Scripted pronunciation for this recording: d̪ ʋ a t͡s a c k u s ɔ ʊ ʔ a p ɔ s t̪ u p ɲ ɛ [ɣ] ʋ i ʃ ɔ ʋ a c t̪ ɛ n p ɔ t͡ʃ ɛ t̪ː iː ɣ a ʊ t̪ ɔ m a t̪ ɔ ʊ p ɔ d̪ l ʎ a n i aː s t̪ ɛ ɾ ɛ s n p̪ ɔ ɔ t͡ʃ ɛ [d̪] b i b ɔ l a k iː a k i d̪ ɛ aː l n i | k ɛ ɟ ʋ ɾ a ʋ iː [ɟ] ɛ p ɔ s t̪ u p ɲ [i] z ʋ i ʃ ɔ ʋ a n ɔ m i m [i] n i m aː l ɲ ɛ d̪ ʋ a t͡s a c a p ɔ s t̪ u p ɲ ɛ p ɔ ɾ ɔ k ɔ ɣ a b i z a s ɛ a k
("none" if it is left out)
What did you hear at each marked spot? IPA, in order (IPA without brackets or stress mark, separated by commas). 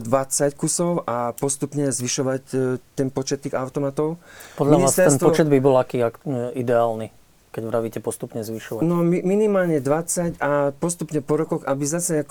z, d̪, c, ɛ, i